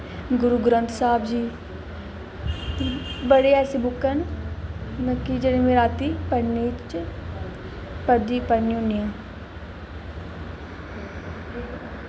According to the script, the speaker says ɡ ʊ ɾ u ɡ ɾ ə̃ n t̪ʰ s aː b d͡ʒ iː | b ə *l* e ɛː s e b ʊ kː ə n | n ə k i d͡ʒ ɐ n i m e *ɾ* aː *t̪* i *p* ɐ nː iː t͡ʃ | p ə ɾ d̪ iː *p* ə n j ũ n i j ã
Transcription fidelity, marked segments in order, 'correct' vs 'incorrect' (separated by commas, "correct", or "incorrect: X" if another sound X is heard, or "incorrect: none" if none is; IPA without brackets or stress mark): incorrect: ɽ, correct, correct, correct, correct